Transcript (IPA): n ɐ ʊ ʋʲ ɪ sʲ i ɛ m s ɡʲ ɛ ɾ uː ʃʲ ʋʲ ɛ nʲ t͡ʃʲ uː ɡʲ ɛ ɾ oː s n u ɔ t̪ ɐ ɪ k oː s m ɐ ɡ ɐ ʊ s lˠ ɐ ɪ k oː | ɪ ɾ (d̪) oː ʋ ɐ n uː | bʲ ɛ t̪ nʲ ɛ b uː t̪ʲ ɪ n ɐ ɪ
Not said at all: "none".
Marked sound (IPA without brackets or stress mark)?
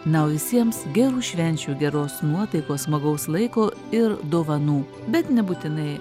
d̪